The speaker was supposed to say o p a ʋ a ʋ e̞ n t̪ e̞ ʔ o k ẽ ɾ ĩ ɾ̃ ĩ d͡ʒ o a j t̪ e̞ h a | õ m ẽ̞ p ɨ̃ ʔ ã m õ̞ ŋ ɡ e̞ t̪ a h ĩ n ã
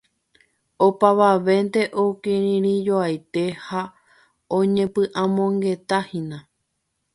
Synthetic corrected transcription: o p a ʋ a ʋ e̞ n t̪ e̞ ʔ o k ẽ ɾ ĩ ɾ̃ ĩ d͡ʒ o a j t̪ e̞ h a | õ ɲ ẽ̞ p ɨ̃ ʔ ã m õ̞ ŋ ɡ e̞ t̪ a h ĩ n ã